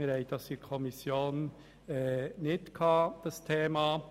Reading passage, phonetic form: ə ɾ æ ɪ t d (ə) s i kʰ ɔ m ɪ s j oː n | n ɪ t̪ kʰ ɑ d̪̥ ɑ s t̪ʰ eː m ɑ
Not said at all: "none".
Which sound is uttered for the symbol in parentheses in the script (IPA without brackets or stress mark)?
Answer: ɑ